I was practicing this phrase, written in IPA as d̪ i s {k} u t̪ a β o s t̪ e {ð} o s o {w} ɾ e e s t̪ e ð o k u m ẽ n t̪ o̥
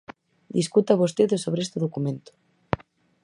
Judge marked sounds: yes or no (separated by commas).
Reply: yes, yes, no